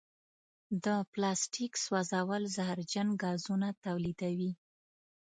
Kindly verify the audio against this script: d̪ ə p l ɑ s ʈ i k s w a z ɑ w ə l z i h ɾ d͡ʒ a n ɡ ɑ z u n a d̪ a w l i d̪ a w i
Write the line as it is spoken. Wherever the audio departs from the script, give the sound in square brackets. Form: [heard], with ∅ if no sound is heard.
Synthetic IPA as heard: d̪ ə p l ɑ s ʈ i k s w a z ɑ w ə l z [a] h ɾ d͡ʒ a n ɡ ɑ z u n a [t̪] a w l i d̪ a w i